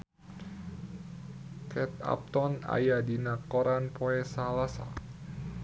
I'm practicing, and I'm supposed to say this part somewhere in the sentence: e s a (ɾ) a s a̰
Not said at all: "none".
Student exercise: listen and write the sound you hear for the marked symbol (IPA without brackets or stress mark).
l